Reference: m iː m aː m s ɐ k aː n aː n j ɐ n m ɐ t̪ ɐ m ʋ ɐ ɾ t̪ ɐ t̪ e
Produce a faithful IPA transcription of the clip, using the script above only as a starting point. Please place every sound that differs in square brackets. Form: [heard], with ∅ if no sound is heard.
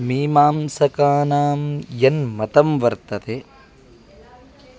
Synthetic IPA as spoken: m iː m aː m s ɐ k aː n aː [m] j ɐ n m ɐ t̪ ɐ m ʋ ɐ ɾ t̪ ɐ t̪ e